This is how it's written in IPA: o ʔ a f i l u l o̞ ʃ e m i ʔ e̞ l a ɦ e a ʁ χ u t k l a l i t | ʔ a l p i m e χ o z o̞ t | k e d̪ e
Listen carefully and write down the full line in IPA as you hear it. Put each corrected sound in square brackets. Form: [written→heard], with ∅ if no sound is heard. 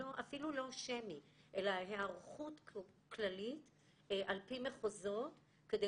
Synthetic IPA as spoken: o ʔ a f i l u l o̞ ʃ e m i ʔ e̞ l a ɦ e a ʁ χ u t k l a l i t | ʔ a l p i m e χ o z o̞ t | k e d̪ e